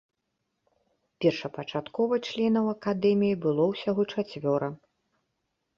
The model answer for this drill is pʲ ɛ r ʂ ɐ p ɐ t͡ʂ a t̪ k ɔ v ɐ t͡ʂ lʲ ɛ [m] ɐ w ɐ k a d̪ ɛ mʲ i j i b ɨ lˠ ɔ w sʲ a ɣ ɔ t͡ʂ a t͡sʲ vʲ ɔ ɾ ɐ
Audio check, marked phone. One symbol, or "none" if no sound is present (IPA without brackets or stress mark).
n